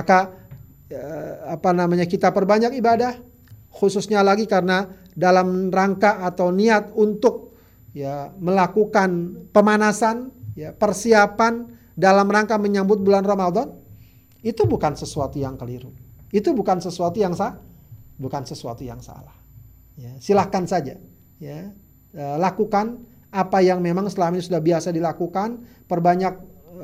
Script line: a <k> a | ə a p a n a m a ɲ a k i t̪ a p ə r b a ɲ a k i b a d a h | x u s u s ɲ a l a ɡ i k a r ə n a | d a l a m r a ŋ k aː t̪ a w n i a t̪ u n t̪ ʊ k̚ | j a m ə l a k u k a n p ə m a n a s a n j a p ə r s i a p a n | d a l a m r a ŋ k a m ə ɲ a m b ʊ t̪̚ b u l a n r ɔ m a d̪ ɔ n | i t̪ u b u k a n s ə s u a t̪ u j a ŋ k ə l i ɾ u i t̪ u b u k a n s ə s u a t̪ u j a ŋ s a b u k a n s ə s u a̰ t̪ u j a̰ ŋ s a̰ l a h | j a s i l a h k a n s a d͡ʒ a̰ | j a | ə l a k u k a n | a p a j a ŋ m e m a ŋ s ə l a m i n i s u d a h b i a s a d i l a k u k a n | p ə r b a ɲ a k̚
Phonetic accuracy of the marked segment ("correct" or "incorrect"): correct